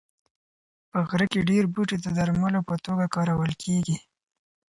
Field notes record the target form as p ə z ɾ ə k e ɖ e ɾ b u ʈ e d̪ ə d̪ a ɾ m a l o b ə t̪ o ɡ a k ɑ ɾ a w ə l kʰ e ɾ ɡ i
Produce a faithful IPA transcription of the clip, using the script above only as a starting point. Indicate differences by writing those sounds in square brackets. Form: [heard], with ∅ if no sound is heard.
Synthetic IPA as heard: p ə [ɣ] ɾ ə k e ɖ e ɾ b u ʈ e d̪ ə d̪ a ɾ m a l o [p] ə t̪ o ɡ a k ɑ ɾ a w ə l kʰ e [∅] ɡ i